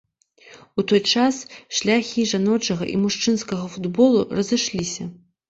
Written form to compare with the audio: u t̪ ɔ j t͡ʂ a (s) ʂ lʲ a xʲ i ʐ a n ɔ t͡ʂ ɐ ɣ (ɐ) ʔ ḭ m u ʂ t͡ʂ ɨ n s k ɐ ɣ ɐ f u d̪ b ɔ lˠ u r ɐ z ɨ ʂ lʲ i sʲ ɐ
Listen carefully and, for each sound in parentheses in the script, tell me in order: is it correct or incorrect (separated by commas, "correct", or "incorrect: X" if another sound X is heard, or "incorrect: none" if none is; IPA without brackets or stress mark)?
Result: correct, correct